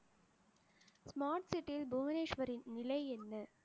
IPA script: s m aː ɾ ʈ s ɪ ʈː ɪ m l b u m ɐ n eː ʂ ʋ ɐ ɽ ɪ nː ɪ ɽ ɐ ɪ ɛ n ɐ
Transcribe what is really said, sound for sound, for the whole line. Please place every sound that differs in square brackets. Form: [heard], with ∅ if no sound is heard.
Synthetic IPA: s m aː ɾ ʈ s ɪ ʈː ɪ [∅] l b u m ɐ n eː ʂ ʋ ɐ [ɾ] ɪ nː ɪ [l] ɐ ɪ ɛ [nː] ɐ